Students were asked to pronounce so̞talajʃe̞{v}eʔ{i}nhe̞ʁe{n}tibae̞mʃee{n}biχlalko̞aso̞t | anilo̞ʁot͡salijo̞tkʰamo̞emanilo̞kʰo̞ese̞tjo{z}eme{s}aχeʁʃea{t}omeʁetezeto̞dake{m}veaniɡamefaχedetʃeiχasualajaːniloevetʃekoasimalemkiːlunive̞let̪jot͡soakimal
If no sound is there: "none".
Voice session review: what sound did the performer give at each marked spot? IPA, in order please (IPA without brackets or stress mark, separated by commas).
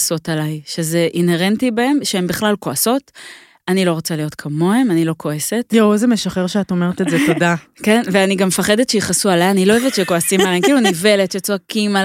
z, i, n, m, z, ʃ, t, n